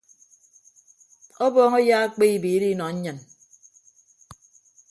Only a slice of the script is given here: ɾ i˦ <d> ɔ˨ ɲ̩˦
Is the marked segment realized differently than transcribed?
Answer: yes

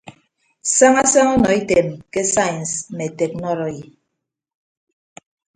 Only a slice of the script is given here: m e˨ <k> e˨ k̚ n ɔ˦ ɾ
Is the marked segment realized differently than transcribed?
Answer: yes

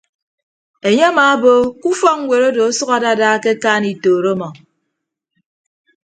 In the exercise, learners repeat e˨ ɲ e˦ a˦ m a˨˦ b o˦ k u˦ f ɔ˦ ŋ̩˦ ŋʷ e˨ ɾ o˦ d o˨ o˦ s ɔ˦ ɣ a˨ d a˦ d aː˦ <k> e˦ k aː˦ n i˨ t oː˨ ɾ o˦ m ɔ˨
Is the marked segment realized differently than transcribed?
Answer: no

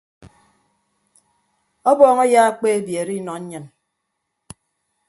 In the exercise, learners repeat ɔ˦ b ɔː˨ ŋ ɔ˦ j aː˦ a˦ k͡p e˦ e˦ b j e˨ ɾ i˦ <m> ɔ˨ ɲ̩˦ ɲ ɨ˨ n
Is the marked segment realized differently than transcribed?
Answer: yes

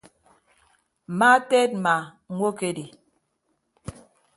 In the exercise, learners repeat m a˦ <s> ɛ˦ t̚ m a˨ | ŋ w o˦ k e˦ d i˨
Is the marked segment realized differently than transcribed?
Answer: yes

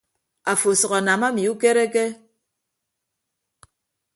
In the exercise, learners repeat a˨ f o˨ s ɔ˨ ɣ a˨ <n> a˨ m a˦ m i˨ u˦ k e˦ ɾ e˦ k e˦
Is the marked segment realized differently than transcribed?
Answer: no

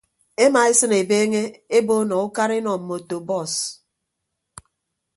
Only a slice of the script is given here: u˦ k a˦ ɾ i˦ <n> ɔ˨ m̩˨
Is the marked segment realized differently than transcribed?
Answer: no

